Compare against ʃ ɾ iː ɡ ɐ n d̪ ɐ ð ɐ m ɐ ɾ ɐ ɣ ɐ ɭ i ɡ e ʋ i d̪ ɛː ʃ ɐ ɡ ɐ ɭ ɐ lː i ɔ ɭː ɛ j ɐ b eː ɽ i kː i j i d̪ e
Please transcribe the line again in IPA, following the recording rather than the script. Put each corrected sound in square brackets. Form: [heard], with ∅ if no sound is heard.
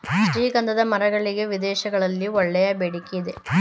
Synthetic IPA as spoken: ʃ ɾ iː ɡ ɐ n d̪ ɐ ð ɐ m ɐ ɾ ɐ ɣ ɐ ɭ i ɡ e ʋ i d̪ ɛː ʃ ɐ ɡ ɐ ɭ ɐ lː i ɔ ɭː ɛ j ɐ b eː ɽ i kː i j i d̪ e